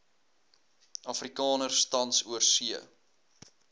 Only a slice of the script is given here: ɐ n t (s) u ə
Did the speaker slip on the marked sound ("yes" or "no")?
no